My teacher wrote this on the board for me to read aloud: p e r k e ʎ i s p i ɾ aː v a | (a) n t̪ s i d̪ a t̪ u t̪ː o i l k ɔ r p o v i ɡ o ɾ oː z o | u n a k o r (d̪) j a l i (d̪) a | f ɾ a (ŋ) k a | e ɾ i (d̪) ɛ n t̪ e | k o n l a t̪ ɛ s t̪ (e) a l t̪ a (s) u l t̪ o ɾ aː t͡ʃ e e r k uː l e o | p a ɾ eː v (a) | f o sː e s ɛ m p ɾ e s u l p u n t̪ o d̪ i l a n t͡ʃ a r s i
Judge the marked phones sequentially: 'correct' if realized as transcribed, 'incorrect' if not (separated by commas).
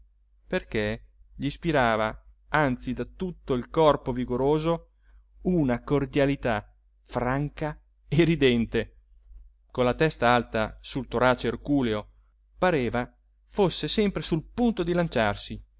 correct, correct, incorrect, correct, correct, incorrect, correct, correct